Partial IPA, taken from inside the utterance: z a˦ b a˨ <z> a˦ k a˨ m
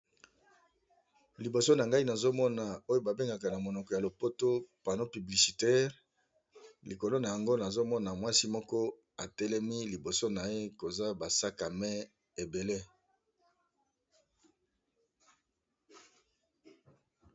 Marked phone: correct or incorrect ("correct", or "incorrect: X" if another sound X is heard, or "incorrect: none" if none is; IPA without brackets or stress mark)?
incorrect: s